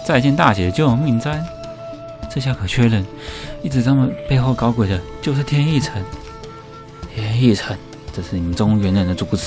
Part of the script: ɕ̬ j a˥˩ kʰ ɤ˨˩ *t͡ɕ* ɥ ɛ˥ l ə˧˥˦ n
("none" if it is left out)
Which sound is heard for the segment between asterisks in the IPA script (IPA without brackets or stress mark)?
t͡ɕʰ